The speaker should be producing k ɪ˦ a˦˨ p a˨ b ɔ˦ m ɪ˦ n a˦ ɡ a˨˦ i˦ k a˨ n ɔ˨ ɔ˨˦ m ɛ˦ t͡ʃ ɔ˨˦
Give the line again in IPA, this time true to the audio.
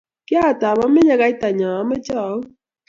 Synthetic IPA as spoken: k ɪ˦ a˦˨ t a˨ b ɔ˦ m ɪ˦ ɲ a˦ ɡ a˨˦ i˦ t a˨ ɲ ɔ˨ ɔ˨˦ m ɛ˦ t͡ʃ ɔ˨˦